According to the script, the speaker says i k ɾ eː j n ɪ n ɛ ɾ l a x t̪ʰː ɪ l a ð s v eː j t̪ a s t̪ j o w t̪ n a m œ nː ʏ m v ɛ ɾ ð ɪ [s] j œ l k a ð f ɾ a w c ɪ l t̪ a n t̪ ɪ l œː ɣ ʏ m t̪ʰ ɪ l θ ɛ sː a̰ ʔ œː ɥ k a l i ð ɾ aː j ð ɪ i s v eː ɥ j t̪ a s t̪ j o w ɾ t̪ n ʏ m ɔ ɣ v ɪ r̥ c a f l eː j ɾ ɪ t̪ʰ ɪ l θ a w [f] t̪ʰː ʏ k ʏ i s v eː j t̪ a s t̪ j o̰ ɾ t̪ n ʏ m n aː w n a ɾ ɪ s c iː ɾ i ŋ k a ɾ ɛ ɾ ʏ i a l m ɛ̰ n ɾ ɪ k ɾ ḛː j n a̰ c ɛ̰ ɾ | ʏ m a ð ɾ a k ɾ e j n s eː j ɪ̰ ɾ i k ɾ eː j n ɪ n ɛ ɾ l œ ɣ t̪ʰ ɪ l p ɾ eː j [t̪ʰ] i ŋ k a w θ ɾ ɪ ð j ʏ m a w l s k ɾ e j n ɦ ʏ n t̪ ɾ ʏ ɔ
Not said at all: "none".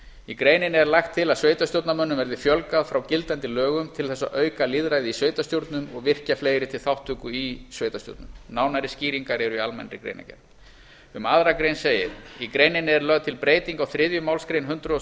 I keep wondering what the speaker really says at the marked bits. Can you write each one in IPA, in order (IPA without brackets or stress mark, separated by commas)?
f, h, t̪